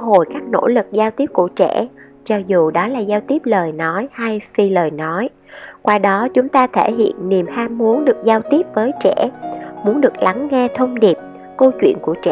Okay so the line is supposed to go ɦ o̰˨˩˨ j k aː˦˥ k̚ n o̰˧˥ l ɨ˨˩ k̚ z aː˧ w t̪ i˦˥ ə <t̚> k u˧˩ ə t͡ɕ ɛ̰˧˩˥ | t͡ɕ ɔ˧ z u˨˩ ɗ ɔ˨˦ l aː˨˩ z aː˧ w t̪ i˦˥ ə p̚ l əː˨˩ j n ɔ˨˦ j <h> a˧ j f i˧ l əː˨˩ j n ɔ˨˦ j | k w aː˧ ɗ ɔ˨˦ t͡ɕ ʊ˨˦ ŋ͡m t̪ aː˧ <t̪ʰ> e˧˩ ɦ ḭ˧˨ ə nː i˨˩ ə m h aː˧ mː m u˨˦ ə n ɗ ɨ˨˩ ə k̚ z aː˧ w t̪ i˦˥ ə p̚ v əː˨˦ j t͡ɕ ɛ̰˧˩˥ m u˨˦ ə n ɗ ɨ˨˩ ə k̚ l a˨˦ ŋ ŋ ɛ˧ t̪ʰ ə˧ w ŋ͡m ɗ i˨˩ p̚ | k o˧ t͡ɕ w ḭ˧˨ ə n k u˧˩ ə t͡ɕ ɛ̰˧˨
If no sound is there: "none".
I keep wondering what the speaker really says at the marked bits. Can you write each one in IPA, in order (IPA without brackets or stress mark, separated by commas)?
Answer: p̚, h, t̪ʰ